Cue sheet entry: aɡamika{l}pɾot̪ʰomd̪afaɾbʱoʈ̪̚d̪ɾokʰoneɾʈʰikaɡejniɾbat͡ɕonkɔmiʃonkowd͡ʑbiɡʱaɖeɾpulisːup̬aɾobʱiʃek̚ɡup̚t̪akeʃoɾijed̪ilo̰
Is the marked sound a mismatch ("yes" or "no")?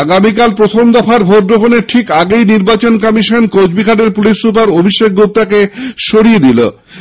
no